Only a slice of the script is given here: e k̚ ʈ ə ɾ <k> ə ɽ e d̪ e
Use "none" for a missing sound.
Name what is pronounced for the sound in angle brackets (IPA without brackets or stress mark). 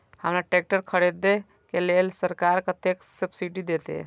kʰ